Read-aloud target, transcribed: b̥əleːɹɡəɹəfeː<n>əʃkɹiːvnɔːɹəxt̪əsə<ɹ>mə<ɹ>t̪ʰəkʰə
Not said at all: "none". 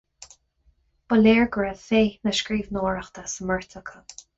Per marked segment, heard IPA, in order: n, none, ɹ

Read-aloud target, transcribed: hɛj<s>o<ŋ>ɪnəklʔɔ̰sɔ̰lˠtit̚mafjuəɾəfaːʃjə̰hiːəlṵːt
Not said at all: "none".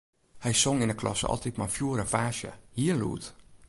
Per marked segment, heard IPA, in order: s, ŋ

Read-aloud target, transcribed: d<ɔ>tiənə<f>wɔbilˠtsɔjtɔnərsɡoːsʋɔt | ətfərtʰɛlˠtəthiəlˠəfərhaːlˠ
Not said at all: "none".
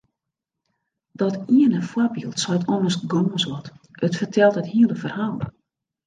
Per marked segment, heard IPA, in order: ɔ, f

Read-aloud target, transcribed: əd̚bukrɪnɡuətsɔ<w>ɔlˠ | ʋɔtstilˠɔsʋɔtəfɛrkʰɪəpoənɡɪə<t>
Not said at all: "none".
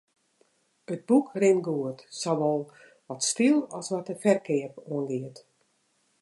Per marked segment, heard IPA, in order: ʋ, t

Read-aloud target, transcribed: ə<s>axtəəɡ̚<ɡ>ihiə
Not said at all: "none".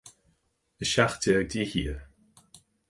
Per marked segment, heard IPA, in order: ʃ, d

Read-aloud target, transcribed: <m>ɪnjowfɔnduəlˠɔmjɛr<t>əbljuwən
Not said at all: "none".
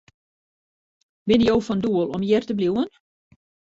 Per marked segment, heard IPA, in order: b, t

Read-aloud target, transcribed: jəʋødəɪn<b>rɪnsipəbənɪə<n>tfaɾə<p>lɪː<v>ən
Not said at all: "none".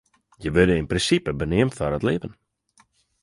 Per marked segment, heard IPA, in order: p, m, t, v

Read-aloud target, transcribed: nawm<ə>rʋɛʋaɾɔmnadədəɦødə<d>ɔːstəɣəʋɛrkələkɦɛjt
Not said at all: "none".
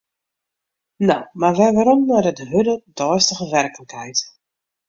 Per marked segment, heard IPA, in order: a, d

